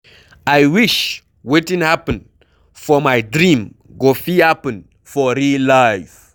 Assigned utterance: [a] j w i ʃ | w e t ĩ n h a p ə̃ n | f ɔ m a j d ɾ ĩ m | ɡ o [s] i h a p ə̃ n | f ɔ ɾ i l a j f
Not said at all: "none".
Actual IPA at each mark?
a, f

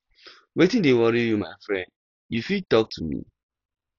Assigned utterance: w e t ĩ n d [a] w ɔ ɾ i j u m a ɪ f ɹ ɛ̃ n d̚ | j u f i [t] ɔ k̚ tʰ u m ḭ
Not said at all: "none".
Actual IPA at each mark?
e, t

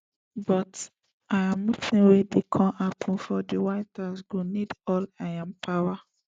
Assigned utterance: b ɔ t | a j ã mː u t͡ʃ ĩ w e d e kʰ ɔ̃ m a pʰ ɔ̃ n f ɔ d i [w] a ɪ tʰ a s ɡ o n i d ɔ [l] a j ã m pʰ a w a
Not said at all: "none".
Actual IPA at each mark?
w, l

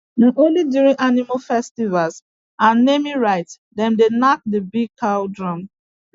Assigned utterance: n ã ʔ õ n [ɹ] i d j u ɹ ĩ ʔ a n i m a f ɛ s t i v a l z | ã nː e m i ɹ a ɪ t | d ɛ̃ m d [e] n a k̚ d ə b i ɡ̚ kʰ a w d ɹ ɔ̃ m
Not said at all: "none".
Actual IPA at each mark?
l, e

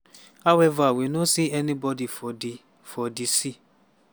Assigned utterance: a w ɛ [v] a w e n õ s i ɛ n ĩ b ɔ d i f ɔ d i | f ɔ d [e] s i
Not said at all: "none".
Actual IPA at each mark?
v, i

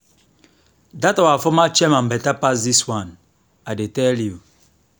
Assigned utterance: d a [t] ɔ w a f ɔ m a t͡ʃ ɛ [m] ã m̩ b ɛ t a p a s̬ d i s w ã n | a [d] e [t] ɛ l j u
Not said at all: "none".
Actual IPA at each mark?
t, m, d, t

